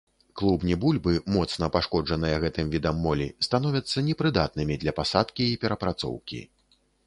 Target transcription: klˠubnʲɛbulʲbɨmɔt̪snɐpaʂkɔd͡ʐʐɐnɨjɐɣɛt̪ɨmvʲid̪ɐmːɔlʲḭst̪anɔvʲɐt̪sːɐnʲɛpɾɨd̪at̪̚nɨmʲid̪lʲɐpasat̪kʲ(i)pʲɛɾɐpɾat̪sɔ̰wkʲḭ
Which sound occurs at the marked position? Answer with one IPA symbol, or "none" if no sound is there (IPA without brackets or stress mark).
iː